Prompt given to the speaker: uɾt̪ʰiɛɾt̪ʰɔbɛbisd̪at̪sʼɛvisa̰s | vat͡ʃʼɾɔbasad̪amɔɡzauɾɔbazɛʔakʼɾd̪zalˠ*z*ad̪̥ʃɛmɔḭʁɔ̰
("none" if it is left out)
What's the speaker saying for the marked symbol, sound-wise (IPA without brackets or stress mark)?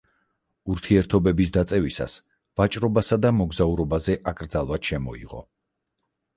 v